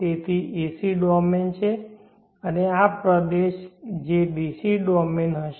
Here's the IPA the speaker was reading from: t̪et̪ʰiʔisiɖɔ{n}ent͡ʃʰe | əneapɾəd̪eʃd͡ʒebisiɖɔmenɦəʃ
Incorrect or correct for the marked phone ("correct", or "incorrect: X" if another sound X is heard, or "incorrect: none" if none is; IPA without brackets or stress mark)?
incorrect: m